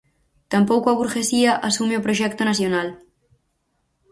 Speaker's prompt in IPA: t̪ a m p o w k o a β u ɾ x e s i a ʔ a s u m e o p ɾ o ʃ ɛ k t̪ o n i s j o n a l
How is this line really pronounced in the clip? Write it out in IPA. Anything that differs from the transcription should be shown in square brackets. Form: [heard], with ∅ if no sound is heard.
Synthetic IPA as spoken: t̪ a m p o w k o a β u ɾ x e s i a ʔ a s u m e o p ɾ o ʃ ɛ k t̪ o n [a] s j o n a l